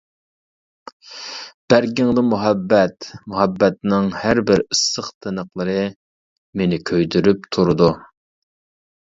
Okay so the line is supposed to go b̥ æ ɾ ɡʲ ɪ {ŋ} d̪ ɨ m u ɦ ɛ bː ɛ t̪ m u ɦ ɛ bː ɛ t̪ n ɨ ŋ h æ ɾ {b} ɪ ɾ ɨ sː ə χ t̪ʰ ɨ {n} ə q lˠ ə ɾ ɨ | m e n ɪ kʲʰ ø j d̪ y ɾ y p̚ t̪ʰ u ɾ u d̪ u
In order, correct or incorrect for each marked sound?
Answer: correct, correct, correct

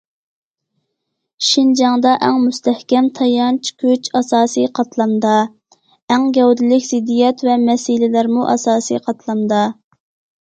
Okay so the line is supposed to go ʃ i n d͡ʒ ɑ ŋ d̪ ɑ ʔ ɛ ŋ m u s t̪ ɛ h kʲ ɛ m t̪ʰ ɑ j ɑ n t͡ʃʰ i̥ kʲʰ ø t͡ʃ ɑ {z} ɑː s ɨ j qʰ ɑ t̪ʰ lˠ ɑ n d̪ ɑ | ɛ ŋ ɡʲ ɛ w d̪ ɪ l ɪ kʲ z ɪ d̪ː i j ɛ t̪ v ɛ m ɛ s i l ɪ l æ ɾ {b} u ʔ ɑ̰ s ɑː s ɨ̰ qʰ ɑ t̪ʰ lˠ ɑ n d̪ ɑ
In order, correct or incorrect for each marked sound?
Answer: incorrect, incorrect

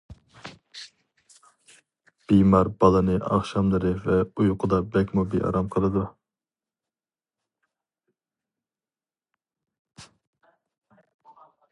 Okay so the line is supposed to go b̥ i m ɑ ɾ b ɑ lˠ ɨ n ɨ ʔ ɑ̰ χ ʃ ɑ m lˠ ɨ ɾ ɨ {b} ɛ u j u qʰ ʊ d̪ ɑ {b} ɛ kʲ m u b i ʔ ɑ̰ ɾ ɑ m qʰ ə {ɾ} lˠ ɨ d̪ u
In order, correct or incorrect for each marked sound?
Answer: incorrect, correct, incorrect

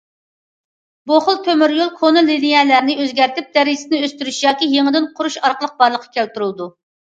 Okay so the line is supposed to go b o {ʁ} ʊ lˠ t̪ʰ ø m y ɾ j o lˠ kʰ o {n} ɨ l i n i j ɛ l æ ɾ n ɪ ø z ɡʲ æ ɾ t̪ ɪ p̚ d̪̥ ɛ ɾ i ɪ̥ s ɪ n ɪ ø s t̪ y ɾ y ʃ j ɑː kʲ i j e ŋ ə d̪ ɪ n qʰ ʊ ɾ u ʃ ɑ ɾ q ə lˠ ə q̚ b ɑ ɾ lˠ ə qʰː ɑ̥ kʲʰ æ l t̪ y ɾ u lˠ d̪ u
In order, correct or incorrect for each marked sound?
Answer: incorrect, correct

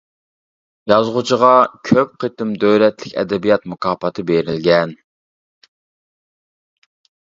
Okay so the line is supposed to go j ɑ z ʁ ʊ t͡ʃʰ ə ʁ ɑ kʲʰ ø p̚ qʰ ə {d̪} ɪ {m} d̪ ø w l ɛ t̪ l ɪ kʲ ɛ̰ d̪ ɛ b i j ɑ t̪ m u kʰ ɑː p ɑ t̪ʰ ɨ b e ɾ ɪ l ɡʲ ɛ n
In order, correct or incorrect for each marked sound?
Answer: incorrect, correct

